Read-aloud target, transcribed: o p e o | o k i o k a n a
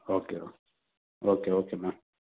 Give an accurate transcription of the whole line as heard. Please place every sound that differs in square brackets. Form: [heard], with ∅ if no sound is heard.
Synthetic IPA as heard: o [k] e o | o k [e] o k [e] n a

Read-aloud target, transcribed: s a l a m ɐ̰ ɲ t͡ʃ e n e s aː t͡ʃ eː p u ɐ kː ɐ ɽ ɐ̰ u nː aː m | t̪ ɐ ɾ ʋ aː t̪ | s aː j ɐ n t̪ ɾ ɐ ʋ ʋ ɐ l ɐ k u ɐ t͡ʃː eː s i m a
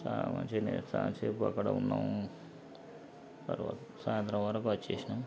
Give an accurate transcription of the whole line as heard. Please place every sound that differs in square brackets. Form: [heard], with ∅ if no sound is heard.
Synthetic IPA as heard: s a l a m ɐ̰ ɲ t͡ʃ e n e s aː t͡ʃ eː p u ɐ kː ɐ ɽ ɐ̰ u nː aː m | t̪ ɐ ɾ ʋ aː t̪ | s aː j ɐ n t̪ ɾ ɐ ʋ ʋ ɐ [ɾ] ɐ k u ɐ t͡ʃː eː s i [n] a

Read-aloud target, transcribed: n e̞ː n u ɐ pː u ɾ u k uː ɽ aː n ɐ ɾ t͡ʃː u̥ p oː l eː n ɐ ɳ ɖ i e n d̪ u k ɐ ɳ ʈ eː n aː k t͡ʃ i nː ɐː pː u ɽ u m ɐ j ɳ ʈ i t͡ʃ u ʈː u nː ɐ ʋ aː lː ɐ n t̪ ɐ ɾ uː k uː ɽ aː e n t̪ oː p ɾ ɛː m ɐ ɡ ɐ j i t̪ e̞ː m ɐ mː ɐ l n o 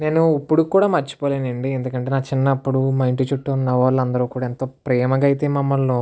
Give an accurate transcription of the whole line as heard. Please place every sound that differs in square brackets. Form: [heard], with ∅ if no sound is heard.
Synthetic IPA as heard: n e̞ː n u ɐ pː u [ɽ] u k uː ɽ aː [m] ɐ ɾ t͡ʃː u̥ p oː l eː n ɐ ɳ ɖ i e n d̪ u k ɐ ɳ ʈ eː n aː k t͡ʃ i nː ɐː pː u ɽ u m ɐ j ɳ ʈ i t͡ʃ u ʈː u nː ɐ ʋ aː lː ɐ n [d̪] ɐ ɾ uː k uː ɽ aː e n t̪ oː p ɾ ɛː m ɐ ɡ ɐ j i t̪ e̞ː m ɐ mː ɐ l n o

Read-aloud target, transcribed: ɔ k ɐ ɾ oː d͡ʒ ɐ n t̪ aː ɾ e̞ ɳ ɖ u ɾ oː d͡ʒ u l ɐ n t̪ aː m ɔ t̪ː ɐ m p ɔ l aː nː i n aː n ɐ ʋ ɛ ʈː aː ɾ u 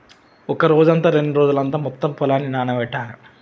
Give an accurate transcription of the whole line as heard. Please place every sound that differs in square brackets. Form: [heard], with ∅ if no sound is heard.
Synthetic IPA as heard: ɔ k ɐ ɾ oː d͡ʒ ɐ n t̪ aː ɾ e̞ ɳ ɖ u ɾ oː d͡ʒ u l ɐ n t̪ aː m ɔ t̪ː ɐ m p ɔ l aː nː i n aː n ɐ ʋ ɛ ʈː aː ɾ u

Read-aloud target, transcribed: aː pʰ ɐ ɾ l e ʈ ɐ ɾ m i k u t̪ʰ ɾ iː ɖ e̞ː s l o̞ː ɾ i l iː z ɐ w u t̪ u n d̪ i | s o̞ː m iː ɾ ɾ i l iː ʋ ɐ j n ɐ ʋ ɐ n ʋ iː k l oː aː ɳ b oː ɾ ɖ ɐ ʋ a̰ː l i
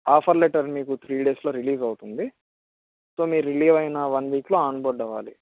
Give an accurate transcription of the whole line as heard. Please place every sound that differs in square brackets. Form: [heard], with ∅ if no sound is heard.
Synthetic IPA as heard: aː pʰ ɐ ɾ l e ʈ ɐ ɾ m [iː] k u t̪ʰ ɾ iː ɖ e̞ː s l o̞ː ɾ i l iː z ɐ w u t̪ u n d̪ i | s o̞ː m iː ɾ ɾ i l iː ʋ ɐ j n ɐ ʋ ɐ n ʋ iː k l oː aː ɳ b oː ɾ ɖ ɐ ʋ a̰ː l i

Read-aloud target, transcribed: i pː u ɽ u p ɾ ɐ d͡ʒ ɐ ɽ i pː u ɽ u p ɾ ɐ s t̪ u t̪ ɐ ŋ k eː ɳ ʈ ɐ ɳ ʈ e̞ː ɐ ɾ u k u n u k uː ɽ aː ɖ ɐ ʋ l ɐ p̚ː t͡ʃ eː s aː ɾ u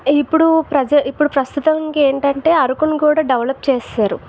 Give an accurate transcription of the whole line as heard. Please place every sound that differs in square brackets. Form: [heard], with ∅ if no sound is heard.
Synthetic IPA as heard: i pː u ɽ u p ɾ ɐ d͡ʒ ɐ [∅] i pː u ɽ u p ɾ ɐ s t̪ u t̪ ɐ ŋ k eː ɳ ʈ ɐ ɳ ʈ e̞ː ɐ ɾ u k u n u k uː ɽ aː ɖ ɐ ʋ l ɐ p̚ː t͡ʃ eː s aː ɾ u

